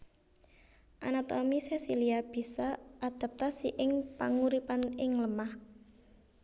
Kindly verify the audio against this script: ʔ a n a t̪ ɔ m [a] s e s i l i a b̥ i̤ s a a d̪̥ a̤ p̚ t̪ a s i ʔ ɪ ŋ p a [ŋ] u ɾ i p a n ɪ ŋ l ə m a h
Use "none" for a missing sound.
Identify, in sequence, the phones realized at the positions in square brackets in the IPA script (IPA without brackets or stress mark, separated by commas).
i, ŋ